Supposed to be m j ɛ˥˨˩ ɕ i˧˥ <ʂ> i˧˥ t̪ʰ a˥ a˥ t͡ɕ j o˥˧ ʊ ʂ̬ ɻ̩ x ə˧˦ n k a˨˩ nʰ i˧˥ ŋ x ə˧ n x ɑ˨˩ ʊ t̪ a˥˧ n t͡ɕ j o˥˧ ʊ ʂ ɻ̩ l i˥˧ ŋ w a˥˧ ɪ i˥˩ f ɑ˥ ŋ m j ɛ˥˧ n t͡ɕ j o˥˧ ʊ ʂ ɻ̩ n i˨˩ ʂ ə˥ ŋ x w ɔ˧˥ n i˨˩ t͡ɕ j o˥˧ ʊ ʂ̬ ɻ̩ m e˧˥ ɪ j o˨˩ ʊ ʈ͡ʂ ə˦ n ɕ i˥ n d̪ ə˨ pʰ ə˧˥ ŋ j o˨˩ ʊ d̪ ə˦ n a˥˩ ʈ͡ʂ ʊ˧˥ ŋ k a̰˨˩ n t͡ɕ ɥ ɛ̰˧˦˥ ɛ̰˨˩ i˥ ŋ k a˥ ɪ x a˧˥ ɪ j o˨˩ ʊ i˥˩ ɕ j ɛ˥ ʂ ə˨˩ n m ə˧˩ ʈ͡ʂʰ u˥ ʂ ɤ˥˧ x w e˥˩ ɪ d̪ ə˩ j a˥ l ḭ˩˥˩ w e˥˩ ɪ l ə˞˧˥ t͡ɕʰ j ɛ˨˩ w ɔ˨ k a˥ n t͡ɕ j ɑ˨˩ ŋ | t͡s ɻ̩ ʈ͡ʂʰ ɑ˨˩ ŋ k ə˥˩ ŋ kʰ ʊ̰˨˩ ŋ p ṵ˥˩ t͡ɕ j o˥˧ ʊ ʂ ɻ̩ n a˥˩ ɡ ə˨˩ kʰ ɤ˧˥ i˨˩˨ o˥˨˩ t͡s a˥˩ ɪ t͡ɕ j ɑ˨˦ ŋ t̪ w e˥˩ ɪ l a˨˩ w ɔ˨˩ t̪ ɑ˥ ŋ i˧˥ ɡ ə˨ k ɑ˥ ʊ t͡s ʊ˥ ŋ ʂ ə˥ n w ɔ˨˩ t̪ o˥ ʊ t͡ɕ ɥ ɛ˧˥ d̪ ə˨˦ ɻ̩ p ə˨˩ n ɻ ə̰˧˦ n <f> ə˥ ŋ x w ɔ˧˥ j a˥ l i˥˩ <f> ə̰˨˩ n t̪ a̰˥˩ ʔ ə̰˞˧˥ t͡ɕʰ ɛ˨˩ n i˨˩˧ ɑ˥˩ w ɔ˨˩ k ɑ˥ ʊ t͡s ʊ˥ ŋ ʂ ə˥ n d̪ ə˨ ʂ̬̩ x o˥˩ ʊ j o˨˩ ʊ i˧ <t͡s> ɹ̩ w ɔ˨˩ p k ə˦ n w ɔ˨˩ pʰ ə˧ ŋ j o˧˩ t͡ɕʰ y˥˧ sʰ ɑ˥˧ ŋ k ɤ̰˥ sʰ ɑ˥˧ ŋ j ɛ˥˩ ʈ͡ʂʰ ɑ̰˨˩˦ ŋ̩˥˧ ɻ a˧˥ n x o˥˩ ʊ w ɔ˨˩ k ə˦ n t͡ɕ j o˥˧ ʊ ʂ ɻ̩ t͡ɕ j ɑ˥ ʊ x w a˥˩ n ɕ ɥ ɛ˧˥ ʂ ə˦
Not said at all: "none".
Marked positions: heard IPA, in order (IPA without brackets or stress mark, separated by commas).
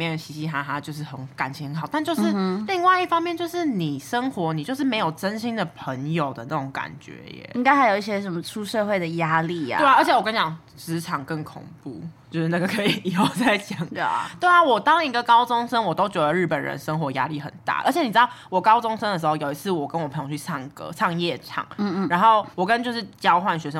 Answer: ɕ, ʂ, x, t͡sʰ